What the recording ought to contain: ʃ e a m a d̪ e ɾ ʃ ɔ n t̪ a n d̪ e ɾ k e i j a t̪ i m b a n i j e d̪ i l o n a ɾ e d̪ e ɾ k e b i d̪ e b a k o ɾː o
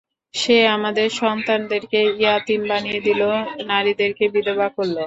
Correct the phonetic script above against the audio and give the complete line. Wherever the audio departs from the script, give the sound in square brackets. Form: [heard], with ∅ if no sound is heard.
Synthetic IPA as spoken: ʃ e a m a d̪ e ɾ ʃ ɔ n t̪ a n d̪ e ɾ k e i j a t̪ i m b a n i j e d̪ i l o n a ɾ [i] d̪ e ɾ k e b i d̪ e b a k o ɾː o